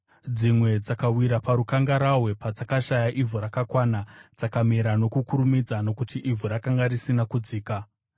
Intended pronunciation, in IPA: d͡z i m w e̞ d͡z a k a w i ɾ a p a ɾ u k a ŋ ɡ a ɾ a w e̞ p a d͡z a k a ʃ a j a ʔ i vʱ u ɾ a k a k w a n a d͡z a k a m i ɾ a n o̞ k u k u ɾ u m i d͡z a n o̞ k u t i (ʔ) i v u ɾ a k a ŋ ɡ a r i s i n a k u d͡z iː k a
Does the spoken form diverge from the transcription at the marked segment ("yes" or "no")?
no